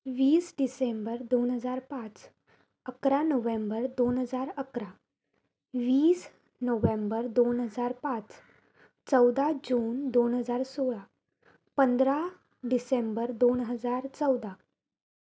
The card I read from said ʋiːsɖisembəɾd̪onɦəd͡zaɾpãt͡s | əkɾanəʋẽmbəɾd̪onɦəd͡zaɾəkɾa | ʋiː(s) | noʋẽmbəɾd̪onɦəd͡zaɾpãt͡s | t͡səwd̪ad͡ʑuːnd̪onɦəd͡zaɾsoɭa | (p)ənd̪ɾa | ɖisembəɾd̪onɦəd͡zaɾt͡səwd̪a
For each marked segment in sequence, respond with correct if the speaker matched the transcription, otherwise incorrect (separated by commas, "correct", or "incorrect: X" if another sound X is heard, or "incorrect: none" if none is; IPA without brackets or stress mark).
correct, correct